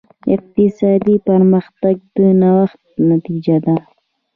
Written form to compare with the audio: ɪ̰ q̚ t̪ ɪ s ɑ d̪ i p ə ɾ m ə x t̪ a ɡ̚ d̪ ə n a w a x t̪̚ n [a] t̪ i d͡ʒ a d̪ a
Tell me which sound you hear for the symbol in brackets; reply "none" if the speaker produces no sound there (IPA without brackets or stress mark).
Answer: a